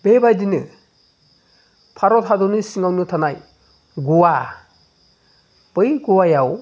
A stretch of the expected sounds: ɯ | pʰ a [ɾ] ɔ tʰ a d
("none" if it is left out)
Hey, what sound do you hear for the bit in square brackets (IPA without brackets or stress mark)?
ɾ